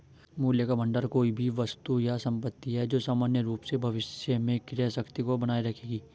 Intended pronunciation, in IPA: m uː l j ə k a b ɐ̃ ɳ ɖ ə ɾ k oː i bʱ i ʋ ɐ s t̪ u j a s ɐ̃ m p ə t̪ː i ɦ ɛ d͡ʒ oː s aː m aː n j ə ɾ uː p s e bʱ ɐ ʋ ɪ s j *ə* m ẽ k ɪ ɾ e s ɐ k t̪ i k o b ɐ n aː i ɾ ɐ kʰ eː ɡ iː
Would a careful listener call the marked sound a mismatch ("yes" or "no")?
no